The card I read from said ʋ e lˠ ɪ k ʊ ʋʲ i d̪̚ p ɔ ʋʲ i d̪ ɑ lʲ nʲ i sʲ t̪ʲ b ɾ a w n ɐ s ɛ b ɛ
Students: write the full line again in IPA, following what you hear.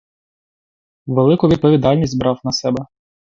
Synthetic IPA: ʋ e lˠ ɪ k ʊ ʋʲ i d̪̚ p ɔ ʋʲ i d̪ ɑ lʲ nʲ i sʲ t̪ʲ b ɾ ɑ w n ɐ s ɛ b ɛ